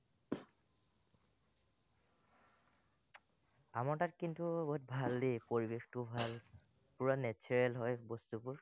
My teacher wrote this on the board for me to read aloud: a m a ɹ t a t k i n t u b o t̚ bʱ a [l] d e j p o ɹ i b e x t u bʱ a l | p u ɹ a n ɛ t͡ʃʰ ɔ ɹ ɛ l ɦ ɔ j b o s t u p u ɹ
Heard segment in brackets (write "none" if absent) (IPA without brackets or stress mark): l